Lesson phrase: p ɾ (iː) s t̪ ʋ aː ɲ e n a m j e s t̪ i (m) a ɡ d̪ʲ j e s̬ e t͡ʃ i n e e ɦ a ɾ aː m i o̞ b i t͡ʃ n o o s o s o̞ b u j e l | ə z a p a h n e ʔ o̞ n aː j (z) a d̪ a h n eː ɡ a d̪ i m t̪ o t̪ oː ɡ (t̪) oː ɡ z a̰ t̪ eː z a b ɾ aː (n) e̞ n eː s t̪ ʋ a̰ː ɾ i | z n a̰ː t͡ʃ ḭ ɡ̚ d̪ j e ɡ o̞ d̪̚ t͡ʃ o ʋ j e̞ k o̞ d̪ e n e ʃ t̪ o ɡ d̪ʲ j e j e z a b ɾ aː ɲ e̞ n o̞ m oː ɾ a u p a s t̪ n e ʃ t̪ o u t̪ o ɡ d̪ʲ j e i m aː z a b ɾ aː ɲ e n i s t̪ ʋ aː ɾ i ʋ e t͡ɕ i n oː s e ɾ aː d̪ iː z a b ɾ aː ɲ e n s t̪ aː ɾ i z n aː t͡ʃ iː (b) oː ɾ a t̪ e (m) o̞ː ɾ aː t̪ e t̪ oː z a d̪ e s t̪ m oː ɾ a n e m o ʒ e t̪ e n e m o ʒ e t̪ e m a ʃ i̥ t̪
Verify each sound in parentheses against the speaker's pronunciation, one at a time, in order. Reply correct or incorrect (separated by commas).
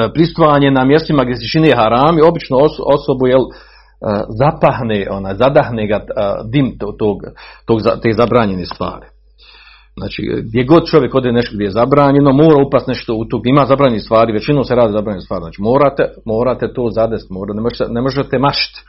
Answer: incorrect, correct, correct, correct, incorrect, incorrect, correct